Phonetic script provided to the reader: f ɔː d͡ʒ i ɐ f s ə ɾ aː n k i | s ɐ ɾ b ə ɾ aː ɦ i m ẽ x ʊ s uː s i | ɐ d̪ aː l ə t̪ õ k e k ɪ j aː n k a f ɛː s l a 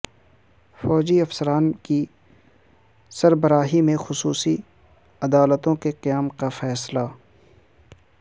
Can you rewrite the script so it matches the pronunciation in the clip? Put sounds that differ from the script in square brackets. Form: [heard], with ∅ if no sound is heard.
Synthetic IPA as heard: f ɔː d͡ʒ i ɐ f s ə ɾ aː n k i | s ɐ ɾ b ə ɾ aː ɦ i m ẽ x ʊ s uː s i | ɐ d̪ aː l ə t̪ õ k e [q] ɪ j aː [m] k a f ɛː s l a